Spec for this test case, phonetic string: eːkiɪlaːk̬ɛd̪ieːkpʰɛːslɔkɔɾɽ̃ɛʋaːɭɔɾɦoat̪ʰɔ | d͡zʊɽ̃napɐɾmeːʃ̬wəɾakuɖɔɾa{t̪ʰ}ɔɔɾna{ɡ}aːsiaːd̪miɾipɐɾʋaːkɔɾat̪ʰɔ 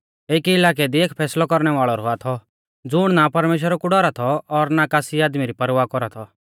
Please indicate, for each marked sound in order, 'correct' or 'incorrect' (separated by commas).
correct, incorrect